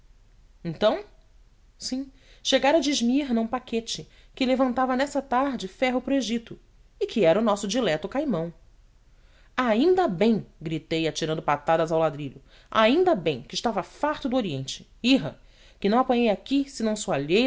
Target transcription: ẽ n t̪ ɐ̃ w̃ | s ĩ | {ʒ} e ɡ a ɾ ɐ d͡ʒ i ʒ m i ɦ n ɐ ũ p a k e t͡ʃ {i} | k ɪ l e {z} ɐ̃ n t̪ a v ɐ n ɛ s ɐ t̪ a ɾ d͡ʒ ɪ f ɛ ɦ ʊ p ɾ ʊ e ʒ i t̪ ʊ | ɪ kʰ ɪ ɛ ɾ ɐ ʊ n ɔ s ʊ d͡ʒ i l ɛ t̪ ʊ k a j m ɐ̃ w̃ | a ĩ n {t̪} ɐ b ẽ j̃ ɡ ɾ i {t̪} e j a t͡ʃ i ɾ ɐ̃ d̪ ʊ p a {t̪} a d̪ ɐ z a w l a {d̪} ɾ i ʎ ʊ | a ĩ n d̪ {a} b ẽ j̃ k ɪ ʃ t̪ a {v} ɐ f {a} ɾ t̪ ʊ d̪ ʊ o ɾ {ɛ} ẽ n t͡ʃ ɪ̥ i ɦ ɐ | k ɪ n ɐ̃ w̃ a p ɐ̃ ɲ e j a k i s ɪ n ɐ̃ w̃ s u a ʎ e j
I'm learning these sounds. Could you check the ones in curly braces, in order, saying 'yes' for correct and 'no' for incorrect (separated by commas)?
no, no, no, no, yes, yes, yes, no, yes, yes, no